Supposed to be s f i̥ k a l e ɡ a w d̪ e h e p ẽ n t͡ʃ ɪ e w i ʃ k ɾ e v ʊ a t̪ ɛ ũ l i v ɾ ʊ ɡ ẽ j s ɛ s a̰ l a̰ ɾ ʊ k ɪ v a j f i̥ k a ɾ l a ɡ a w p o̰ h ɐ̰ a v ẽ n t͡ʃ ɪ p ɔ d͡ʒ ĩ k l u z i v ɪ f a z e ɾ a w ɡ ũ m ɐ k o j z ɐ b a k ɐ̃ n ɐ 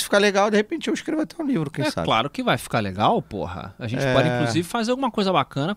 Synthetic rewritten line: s f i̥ k a l e ɡ a w d̪ e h e p ẽ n t͡ʃ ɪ e w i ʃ k ɾ e v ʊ a t̪ ɛ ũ l i v ɾ ʊ k ẽ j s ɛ s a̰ l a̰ ɾ ʊ k ɪ v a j f i̥ k a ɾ l e ɡ a w p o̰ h ɐ̰ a ʒ ẽ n t͡ʃ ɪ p ɔ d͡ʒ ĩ k l u z i v ɪ f a z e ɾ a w ɡ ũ m ɐ k o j z ɐ b a k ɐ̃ n ɐ